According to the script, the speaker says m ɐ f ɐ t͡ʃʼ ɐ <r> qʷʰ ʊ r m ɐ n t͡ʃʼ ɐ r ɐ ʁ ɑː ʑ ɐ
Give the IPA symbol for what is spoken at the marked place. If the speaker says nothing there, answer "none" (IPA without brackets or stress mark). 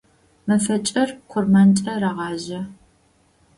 r